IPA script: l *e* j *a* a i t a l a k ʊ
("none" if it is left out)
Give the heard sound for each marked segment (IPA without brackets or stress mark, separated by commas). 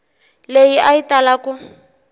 e, i